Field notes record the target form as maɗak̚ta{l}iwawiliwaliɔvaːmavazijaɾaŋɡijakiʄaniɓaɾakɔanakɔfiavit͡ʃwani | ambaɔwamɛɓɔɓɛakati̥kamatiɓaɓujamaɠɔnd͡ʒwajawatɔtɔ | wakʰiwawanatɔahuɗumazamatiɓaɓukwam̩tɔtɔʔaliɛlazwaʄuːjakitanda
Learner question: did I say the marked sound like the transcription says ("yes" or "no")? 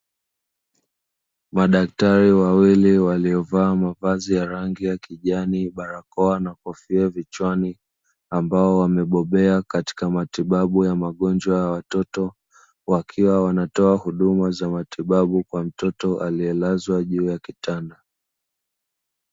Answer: no